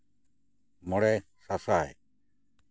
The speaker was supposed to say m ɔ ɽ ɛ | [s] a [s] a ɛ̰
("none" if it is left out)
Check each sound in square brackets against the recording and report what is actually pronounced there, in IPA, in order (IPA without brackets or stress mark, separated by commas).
s, s